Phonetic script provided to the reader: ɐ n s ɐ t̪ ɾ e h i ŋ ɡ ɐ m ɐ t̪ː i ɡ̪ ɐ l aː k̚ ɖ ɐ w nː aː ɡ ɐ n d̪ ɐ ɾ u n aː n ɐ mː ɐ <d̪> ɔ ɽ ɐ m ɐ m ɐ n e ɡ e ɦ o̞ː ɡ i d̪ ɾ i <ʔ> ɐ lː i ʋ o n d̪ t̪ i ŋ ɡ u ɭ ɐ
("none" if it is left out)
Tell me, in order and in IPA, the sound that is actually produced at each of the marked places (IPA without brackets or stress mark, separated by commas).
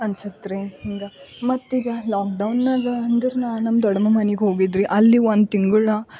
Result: d̪, ʔ